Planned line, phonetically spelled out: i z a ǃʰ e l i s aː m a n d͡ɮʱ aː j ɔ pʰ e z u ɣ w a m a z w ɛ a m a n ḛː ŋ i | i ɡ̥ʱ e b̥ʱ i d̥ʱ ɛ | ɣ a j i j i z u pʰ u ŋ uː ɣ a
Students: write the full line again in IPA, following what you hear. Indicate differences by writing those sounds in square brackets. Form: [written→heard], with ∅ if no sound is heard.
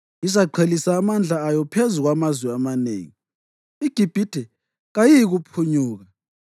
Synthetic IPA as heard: i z a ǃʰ e l i s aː m a n d͡ɮʱ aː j ɔ pʰ e z u ɣ w a m a z w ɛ a m a n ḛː ŋ i | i ɡ̥ʱ [e→i] b̥ʱ i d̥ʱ ɛ | ɣ a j i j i [z→ɣ] u pʰ u [ŋ→ɲ] uː ɣ a